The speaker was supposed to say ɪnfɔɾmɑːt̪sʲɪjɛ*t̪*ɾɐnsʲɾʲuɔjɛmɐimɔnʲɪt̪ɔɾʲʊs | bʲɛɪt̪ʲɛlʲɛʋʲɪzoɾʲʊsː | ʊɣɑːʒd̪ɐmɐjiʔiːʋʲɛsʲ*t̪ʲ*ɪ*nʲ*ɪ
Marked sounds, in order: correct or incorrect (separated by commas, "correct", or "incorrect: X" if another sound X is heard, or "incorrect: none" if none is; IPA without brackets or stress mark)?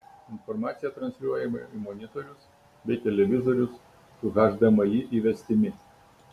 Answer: correct, correct, incorrect: mʲ